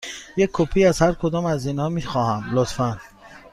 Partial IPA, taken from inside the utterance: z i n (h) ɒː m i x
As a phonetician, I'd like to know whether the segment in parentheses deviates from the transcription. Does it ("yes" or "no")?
no